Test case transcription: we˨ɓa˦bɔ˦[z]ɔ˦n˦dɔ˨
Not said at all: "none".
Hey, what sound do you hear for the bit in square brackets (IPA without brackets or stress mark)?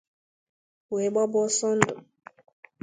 s